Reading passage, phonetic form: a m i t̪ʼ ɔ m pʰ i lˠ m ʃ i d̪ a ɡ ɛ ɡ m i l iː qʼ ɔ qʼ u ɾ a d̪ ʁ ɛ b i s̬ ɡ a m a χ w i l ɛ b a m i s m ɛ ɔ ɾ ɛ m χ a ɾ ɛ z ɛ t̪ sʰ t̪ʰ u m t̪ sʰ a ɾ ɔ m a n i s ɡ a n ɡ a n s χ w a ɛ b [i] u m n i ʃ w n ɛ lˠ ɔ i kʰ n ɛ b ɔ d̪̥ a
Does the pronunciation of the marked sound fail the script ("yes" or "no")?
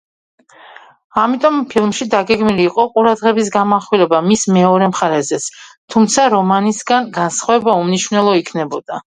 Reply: yes